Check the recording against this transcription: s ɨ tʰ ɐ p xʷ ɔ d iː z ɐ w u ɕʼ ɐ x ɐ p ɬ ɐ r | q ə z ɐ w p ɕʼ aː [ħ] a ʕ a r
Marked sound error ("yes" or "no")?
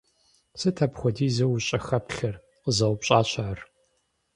yes